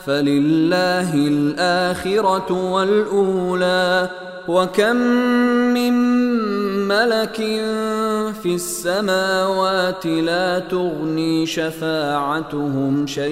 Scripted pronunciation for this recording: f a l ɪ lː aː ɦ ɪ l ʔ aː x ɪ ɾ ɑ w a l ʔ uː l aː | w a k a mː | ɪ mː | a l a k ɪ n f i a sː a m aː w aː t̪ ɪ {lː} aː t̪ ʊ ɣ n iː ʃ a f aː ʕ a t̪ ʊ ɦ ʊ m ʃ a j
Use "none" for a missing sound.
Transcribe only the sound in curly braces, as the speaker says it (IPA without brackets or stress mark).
l